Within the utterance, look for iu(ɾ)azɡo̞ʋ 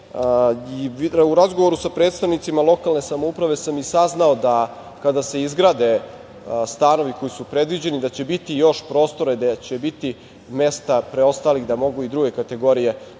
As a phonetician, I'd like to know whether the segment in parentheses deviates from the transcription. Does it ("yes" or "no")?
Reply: no